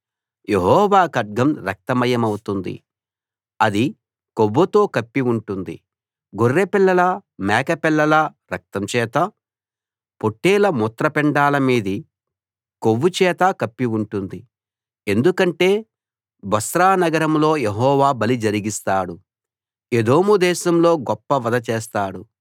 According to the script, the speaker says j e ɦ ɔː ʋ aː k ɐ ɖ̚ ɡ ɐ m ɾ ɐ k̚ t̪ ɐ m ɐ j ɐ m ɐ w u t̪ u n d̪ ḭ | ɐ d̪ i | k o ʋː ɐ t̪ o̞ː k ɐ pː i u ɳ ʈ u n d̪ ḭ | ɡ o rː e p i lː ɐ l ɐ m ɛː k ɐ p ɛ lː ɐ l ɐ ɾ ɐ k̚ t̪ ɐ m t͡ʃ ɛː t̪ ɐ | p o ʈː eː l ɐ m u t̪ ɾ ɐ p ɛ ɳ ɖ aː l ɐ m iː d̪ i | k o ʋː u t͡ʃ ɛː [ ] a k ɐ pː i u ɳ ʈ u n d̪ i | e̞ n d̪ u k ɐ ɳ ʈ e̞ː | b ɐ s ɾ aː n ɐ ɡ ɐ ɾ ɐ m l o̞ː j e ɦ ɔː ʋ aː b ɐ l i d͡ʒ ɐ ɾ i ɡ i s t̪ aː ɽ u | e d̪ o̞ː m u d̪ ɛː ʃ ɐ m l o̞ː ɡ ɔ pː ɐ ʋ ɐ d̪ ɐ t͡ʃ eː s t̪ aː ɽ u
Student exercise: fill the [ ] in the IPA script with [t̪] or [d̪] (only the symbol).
t̪